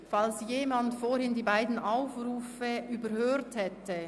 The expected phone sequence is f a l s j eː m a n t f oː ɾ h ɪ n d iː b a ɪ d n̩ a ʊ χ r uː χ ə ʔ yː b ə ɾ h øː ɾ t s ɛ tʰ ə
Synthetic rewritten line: f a l s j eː m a n t f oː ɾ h ɪ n d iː b a ɪ d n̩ a ʊ f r uː f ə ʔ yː b ə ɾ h øː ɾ t h ɛ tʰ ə